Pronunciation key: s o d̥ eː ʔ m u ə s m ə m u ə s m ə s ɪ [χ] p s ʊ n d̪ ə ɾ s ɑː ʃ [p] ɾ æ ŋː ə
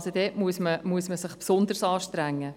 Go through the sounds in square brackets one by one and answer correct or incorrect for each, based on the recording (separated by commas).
correct, incorrect